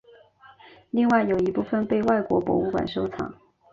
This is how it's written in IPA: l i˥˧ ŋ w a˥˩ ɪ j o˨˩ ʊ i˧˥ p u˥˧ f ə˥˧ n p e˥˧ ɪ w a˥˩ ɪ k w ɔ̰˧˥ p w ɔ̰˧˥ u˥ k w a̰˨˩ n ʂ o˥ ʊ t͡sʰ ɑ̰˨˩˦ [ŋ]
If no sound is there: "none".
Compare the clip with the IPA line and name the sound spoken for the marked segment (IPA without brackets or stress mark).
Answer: ŋ